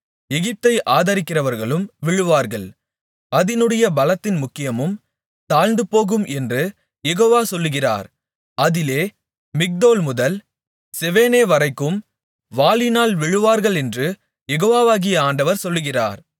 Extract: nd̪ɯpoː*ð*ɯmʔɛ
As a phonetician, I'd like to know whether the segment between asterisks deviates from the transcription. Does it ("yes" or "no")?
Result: yes